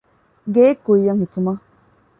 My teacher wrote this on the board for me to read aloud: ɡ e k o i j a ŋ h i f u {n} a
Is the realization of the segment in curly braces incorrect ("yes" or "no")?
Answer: yes